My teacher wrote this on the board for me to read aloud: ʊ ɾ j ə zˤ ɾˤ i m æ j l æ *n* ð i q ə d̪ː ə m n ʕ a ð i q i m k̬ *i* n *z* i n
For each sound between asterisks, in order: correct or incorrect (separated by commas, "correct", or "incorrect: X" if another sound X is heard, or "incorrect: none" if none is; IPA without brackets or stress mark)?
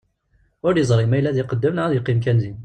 incorrect: none, incorrect: æ, correct